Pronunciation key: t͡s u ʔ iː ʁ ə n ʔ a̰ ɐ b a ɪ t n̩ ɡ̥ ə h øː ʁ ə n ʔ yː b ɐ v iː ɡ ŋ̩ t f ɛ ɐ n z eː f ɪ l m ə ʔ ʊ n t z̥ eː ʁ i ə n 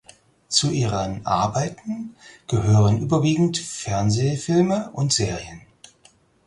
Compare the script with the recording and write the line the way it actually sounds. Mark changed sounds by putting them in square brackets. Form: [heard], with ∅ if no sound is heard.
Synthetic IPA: t͡s u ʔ iː ʁ ə n ʔ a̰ ɐ b a ɪ t n̩ ɡ̥ ə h øː ʁ ə n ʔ yː b ɐ v iː ɡ ŋ̩ t f ɛ ɐ n z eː f ɪ l m ə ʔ ʊ n t z̥ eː ʁ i ə n